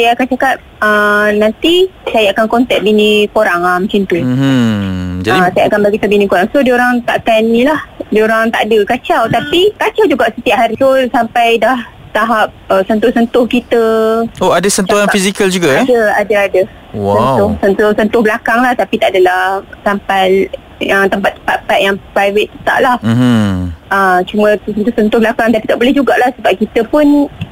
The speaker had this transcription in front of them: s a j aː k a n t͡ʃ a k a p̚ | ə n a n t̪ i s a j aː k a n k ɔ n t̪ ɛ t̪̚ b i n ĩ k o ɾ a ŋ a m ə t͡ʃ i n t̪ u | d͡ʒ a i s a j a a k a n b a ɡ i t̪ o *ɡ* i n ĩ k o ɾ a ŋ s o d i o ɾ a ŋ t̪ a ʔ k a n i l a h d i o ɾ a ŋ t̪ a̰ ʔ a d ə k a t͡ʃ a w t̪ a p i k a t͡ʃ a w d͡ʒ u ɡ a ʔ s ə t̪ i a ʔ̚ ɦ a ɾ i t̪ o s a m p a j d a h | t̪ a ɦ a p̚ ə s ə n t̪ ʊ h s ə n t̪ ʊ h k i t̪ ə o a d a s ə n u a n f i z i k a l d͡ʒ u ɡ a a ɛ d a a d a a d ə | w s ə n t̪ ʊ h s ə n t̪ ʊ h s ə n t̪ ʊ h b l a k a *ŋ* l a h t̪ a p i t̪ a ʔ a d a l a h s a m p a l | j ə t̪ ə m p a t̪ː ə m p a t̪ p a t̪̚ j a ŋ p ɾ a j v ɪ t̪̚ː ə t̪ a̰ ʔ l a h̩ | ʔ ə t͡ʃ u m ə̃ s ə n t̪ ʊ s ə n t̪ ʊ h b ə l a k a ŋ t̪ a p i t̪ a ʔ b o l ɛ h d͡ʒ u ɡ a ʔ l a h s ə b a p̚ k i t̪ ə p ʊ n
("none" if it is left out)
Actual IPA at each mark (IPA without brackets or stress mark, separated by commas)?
b, ŋ